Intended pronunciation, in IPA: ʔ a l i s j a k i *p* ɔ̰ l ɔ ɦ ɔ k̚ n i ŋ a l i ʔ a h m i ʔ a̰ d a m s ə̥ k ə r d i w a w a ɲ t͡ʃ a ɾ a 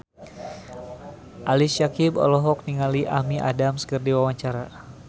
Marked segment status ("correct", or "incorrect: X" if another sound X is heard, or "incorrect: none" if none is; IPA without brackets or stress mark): incorrect: b